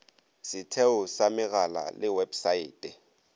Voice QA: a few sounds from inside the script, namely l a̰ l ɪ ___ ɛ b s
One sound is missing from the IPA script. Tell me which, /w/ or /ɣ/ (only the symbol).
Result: w